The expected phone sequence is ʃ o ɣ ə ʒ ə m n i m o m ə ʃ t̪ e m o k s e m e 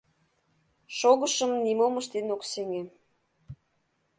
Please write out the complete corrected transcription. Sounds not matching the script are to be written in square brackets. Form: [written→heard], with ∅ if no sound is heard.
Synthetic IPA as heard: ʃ o ɣ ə [ʒ→ʃ] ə m n i m o m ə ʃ t̪ e [m→n] o k s e [m→ŋ] e